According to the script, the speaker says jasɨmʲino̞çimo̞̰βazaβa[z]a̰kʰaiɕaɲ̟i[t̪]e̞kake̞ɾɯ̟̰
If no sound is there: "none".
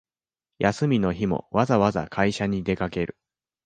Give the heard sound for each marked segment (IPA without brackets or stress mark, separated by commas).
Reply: z, d̪